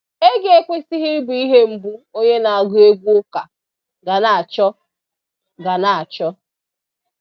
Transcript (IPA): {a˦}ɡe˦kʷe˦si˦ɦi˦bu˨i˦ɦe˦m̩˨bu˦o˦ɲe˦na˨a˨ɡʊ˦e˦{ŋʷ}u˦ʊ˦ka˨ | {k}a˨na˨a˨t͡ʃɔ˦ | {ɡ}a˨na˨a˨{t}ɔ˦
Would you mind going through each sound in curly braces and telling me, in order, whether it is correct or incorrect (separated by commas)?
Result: incorrect, incorrect, incorrect, correct, incorrect